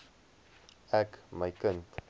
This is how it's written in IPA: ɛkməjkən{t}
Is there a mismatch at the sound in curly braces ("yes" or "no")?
no